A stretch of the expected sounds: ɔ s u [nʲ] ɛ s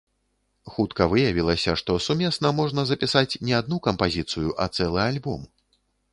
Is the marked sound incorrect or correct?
incorrect